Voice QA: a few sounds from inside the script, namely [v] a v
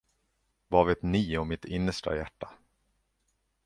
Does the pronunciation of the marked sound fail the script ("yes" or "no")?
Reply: no